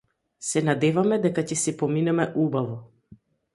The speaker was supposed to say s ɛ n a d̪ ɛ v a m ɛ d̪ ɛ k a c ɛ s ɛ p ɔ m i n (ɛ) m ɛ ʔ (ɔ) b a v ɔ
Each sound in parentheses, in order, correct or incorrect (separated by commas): correct, incorrect